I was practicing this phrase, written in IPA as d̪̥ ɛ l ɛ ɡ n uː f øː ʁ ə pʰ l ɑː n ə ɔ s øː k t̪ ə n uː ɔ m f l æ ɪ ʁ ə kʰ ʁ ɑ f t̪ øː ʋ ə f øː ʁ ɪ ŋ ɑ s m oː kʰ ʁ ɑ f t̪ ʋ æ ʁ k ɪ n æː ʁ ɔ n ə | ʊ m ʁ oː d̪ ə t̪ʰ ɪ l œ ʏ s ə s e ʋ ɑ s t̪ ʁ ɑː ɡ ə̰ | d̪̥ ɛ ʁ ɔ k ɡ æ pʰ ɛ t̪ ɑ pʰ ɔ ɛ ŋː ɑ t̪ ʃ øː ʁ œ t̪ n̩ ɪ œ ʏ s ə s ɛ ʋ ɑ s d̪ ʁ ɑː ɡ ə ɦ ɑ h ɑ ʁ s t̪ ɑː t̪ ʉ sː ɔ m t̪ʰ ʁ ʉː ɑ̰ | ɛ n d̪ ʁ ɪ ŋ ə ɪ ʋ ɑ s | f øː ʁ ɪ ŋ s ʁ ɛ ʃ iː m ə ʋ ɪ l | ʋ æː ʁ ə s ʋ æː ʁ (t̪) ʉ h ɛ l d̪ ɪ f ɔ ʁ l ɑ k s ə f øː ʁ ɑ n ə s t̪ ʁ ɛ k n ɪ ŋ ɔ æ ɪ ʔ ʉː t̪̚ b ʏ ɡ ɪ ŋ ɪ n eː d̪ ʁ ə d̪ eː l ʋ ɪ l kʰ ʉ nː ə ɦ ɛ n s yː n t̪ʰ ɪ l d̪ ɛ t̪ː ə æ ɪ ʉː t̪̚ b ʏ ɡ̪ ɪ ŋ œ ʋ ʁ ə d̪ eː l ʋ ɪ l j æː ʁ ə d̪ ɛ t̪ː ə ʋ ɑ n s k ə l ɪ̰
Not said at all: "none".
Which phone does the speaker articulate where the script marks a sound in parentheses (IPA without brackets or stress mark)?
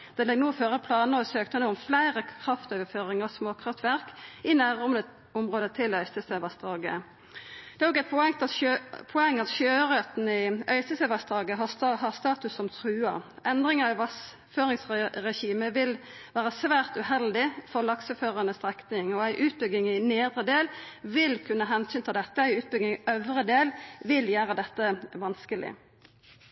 t̪